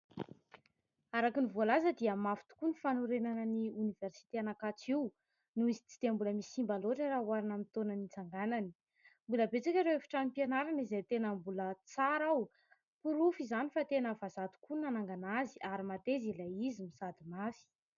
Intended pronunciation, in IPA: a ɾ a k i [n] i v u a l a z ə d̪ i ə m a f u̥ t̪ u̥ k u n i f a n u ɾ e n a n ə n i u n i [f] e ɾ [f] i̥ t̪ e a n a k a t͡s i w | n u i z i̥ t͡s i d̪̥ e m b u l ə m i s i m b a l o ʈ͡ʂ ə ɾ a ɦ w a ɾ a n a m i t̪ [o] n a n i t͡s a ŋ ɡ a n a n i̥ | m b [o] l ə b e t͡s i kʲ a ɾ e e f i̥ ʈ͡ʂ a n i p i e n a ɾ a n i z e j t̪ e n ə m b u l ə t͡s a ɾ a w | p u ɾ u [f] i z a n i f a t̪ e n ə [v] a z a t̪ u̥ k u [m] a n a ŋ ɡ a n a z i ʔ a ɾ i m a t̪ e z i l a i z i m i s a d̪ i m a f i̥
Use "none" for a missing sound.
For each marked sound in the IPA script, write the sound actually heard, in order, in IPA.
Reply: n, v, s, o, u, f, v, n

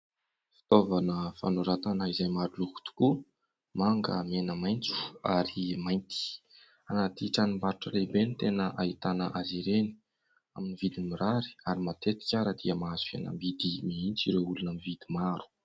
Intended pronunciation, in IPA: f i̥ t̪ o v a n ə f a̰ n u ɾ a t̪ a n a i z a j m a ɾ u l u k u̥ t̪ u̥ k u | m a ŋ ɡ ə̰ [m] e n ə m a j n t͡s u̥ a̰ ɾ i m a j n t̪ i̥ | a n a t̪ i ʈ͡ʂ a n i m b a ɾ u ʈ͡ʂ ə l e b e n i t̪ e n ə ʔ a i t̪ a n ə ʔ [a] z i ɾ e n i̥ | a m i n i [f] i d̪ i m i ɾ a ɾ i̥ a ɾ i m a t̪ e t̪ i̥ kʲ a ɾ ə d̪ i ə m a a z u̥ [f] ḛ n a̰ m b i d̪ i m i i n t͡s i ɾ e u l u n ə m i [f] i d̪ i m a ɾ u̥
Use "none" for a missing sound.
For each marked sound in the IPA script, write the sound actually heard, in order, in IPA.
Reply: m, a, v, f, v

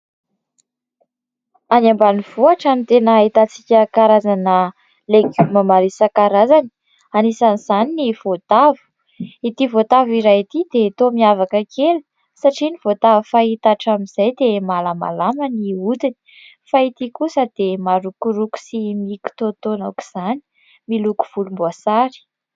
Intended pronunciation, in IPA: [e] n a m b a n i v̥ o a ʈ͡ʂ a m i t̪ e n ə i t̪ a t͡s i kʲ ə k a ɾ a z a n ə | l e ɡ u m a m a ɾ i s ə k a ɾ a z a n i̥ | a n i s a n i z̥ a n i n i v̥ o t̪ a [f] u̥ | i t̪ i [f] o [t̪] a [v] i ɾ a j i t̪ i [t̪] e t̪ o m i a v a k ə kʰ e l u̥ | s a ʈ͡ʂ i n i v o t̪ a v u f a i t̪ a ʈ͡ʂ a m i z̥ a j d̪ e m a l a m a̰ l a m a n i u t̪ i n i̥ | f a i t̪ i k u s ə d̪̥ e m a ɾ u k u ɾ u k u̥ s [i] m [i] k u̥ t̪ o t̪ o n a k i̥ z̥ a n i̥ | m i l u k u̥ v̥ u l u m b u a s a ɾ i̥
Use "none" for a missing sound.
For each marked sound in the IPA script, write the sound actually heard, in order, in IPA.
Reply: a, v, v, t̪, v, d̪, i, i

